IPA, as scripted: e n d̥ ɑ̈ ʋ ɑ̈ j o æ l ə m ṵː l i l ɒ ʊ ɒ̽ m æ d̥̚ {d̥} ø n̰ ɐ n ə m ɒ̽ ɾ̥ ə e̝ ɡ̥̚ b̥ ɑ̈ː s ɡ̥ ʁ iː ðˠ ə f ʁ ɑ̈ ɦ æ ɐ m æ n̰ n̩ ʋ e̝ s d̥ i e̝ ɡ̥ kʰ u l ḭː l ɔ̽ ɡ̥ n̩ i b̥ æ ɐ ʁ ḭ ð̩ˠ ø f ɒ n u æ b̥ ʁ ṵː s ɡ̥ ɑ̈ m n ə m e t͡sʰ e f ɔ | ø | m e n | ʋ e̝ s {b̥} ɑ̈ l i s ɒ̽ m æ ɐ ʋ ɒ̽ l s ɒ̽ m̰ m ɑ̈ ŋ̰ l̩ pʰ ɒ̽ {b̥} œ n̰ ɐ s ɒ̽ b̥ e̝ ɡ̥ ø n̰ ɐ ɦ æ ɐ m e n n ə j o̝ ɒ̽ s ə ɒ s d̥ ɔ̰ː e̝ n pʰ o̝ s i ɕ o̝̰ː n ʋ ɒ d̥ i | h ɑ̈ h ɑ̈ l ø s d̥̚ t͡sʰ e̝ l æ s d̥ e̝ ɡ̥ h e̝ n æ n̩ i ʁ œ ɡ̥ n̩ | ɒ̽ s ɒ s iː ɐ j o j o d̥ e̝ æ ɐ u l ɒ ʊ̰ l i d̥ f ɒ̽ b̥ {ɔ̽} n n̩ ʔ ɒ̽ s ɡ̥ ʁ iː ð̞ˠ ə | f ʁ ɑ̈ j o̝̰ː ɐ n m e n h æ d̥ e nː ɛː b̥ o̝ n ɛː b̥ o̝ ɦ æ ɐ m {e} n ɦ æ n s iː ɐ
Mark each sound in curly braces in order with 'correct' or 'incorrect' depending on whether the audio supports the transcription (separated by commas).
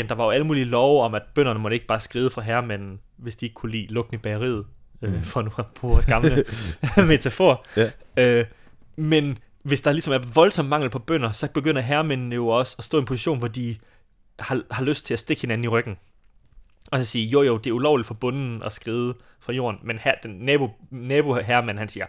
incorrect, incorrect, correct, correct, incorrect